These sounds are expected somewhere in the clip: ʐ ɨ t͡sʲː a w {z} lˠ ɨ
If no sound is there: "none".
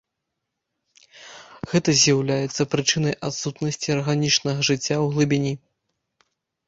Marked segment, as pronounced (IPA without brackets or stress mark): ɣ